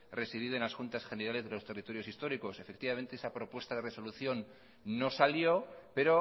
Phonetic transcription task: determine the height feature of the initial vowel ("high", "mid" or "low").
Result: mid